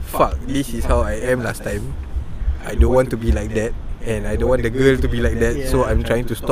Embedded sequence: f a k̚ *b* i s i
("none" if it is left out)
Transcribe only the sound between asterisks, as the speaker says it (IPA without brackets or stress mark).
d